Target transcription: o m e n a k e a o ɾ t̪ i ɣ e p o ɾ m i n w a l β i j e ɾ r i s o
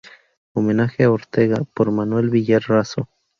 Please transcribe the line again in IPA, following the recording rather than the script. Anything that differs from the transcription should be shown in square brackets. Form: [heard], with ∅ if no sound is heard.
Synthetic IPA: o m e n a [x] e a o ɾ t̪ [e] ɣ [a] p o ɾ m [a] n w [e] l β i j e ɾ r [a] s o

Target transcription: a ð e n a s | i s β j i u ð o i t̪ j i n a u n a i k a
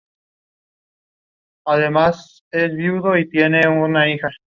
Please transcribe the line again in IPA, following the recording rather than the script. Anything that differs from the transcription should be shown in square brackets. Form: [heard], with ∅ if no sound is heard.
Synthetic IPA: a ð e [m] a s | [e] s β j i u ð o i t̪ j [e] n [e] u n a i [x] a

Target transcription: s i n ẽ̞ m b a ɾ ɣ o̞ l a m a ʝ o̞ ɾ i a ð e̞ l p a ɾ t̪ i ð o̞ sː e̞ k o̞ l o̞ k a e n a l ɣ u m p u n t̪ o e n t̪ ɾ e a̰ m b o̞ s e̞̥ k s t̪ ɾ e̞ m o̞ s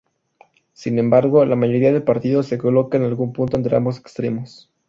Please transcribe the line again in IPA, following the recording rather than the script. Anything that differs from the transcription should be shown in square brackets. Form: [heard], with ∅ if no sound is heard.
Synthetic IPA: s i n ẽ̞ m b a ɾ ɣ o̞ l a m a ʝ o̞ ɾ i a ð e̞ l p a ɾ t̪ i ð o̞ [s] e̞ k o̞ l o̞ k a e n a l ɣ u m p u n t̪ o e n t̪ ɾ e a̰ m b o̞ s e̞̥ k s t̪ ɾ e̞ m o̞ s

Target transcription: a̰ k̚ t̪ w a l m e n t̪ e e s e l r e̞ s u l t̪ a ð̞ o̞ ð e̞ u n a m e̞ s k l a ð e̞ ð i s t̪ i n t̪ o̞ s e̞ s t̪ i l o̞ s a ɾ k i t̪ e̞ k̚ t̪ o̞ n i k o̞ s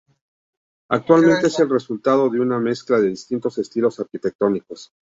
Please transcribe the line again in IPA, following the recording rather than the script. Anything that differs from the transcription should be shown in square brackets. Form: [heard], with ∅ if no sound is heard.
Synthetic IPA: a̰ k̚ t̪ w a l m e n t̪ e e s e l r e̞ s u l t̪ a ð̞ o̞ ð e̞ u n a m e̞ s k l a ð e̞ ð i s t̪ i n t̪ o̞ s e̞ s t̪ i l o̞ s a ɾ k i t̪ e̞ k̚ t̪ o̞ n i k o̞ s

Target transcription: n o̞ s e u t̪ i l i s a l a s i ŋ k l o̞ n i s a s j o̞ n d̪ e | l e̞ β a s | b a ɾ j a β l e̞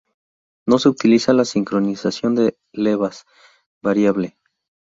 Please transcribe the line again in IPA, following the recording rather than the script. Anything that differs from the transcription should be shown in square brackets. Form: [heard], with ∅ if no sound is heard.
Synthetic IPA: n o̞ s e u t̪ i l i s a l a s i ŋ k [ɾ] o̞ n i s a s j o̞ n d̪ e | l e̞ β a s | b a ɾ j a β l e̞

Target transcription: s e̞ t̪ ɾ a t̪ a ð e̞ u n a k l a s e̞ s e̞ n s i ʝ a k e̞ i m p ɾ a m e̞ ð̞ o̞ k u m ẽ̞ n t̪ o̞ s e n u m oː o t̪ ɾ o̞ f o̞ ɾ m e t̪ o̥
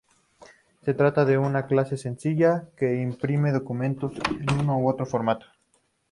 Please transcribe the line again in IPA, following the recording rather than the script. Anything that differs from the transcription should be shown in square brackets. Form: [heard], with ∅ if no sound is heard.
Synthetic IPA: s e̞ t̪ ɾ a t̪ a ð e̞ u n a k l a s e̞ s e̞ n s i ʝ a k e̞ i m p ɾ [i] m e̞ ð̞ o̞ k u m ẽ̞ n t̪ o̞ s e n u [n] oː o t̪ ɾ o̞ f o̞ ɾ m [a] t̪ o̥

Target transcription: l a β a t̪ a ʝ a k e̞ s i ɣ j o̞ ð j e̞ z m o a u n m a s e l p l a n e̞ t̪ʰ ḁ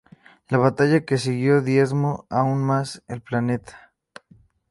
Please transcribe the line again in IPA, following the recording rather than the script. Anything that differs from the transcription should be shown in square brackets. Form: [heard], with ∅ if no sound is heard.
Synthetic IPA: l a β a t̪ a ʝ a k e̞ s i ɣ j o̞ ð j e̞ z m o a u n m a s e l p l a n e̞ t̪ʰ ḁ

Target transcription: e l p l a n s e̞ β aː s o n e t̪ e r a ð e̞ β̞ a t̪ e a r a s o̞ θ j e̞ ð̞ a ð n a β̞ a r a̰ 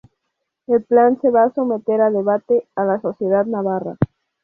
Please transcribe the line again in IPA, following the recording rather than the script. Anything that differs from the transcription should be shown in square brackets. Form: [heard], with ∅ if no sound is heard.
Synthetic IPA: e l p l a n s e̞ β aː s o [m] e t̪ e [ɾ] a ð e̞ β̞ a t̪ e a [l] a s o̞ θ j e̞ ð̞ a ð n a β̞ a r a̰

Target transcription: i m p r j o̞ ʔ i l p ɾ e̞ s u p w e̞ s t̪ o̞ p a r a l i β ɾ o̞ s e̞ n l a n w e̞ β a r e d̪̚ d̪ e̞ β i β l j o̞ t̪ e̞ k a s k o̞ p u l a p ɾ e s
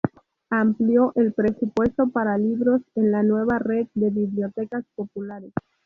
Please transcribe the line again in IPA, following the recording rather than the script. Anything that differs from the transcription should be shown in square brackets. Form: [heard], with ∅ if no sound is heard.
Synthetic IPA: [a] m p [l] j o̞ ʔ [e] l p ɾ e̞ s u p w e̞ s t̪ o̞ p a [ɾ] a l i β ɾ o̞ s e̞ n l a n w e̞ β a r e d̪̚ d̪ e̞ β i β l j o̞ t̪ e̞ k a s [p] o̞ p u l a [∅] ɾ e s

